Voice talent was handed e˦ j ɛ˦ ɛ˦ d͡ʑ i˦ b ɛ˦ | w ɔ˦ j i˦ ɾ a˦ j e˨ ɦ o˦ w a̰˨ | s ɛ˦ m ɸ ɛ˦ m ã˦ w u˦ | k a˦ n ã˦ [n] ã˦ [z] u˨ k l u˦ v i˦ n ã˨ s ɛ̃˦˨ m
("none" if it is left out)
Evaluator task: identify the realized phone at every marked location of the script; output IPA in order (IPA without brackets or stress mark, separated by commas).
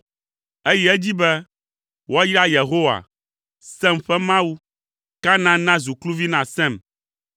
n, z